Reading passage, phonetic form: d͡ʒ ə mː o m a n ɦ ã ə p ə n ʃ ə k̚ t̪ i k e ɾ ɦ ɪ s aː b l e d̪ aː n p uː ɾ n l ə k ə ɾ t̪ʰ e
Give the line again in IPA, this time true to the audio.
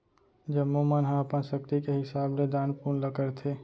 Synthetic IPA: d͡ʒ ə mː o m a n ɦ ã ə p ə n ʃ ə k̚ t̪ i k e ɦ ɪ s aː b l e d̪ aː n p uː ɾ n l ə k ə ɾ t̪ʰ e

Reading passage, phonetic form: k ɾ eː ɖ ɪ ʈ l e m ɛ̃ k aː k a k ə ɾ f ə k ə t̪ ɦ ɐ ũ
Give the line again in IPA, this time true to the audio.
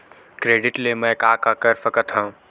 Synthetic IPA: k ɾ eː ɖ ɪ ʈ l e m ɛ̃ k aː k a k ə ɾ f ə k ə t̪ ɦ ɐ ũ

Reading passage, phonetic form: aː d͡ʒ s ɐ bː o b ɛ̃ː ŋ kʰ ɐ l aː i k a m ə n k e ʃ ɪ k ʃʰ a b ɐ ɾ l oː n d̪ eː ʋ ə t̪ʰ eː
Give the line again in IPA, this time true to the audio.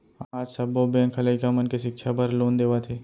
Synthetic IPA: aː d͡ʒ s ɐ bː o b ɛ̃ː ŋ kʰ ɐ l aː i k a m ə n k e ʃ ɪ k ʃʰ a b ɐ ɾ l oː n d̪ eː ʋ a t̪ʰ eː

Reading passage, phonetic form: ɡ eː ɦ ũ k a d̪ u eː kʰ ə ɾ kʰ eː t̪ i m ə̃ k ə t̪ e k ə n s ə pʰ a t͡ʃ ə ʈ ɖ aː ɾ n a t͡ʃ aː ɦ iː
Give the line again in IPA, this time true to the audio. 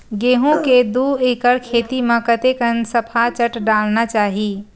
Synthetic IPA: ɡ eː ɦ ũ k e d̪ u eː k ə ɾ kʰ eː t̪ i m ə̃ k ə t̪ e k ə n s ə pʰ a t͡ʃ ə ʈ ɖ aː l n a t͡ʃ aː ɦ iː

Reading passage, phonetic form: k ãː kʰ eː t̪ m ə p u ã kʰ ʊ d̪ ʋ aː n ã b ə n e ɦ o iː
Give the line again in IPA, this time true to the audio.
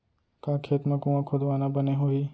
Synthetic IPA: k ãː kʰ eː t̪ m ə k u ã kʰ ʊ d̪ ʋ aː n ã b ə n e ɦ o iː

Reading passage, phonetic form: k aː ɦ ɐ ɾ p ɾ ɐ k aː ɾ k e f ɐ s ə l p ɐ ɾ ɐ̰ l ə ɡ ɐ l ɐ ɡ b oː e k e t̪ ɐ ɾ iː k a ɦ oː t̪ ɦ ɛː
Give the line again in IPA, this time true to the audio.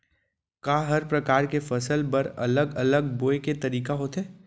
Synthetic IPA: k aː ɦ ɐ ɾ p ɾ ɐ k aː ɾ k e f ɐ s ə l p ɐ ɾ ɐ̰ l ə ɡ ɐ l ə ɡ b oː e k e t̪ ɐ ɾ iː k a ɦ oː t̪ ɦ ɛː

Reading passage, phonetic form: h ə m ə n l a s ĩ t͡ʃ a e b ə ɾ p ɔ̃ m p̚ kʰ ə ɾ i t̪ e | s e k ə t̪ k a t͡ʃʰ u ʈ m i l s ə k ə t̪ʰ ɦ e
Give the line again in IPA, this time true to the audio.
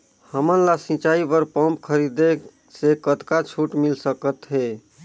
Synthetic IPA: h ə m ə n l a s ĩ t͡ʃ a i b ə ɾ p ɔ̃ m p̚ kʰ ə ɾ i d̪ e | s e k ə t̪ k a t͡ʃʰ u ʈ m i l s ə k ə t̪ ɦ e

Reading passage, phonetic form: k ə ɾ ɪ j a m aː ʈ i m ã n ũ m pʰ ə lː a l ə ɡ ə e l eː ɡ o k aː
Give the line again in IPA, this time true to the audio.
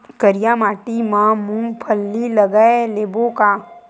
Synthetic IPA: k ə ɾ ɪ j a m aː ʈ i m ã m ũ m pʰ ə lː i l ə ɡ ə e l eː b o k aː

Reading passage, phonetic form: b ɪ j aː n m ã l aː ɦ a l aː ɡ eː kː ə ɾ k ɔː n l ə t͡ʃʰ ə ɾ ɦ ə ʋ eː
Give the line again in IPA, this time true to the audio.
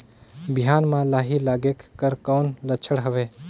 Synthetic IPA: b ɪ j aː n m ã l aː ɦ i l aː ɡ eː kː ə ɾ k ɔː n l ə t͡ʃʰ ə ɽ ɦ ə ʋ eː

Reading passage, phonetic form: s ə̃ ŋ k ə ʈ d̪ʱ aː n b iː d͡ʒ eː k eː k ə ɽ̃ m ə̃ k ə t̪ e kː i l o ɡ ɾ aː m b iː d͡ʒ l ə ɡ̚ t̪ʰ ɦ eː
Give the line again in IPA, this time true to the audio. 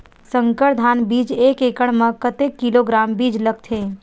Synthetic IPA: s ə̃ ŋ k ə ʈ d̪ʱ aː n b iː d͡ʒ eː k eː k ə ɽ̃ m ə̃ k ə t̪ e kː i l o ɡ ɾ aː m b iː d͡ʒ l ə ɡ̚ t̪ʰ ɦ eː

